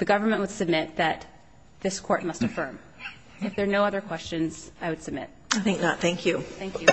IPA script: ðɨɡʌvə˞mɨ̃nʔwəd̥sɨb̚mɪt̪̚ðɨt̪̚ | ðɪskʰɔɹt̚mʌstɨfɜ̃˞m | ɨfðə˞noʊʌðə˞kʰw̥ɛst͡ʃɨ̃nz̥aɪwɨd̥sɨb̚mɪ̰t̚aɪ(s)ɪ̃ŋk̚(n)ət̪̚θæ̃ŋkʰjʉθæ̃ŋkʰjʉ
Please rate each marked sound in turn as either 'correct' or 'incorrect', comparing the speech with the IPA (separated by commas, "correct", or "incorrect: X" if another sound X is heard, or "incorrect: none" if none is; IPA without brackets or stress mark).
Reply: incorrect: θ, correct